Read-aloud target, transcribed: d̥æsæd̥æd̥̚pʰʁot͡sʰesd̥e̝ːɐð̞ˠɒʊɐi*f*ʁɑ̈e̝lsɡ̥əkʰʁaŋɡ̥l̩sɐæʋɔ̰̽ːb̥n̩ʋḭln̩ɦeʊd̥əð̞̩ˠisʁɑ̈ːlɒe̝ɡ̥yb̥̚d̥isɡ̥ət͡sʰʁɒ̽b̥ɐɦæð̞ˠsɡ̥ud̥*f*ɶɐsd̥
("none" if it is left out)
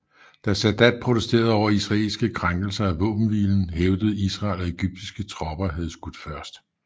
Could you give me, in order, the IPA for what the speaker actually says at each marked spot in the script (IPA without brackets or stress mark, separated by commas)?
s, f